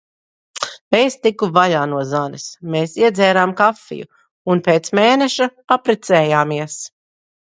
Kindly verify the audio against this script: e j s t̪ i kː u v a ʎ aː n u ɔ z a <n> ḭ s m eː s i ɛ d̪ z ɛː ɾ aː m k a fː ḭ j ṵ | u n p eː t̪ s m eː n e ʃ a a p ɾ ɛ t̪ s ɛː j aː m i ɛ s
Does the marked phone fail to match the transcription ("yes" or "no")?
no